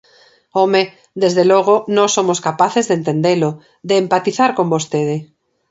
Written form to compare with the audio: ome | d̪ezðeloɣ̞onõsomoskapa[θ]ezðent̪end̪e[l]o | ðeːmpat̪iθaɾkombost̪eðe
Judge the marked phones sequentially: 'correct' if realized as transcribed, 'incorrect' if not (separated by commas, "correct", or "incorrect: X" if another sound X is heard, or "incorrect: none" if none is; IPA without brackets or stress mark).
correct, correct